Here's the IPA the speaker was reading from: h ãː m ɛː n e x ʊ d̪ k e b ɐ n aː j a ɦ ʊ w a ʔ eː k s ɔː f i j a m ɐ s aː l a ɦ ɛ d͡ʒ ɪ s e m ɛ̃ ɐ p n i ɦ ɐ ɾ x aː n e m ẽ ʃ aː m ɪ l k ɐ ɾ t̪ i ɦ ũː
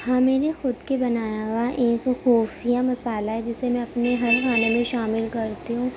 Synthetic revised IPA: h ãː m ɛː n e x ʊ d̪ k e b ɐ n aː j a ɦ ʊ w a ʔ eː k x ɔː f i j a m ɐ s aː l a ɦ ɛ d͡ʒ ɪ s e m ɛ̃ ɐ p n e ɦ ɐ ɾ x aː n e m ẽ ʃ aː m ɪ l k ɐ ɾ t̪ i ɦ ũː